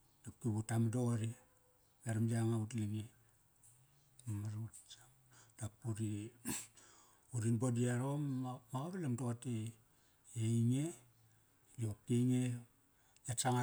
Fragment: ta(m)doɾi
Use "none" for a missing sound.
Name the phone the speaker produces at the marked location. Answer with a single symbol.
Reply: m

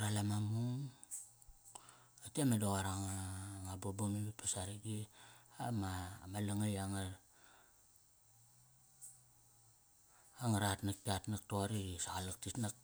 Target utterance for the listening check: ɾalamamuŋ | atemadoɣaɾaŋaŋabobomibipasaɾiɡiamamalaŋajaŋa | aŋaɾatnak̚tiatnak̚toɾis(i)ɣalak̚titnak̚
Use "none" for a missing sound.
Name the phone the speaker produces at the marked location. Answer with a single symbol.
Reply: a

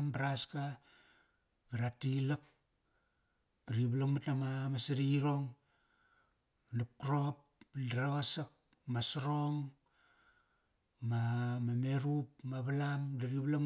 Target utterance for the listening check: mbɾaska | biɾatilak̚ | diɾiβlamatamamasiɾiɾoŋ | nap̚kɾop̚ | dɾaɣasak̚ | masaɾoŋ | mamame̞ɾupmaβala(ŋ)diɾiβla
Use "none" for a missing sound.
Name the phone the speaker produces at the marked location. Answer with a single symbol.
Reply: m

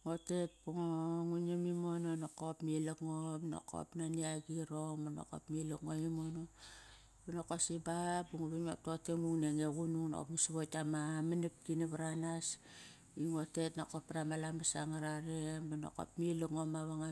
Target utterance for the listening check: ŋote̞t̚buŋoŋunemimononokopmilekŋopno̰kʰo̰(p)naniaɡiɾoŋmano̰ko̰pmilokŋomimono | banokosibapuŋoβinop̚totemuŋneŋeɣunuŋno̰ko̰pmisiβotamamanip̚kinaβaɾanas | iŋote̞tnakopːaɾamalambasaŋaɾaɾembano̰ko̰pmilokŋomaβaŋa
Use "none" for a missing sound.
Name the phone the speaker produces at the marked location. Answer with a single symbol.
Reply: p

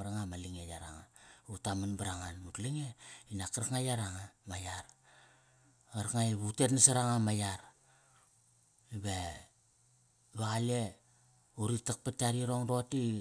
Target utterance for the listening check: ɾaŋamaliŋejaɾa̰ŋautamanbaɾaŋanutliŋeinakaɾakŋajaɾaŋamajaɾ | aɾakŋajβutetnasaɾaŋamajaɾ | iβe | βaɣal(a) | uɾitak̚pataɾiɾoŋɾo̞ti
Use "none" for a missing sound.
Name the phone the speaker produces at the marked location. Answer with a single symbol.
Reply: e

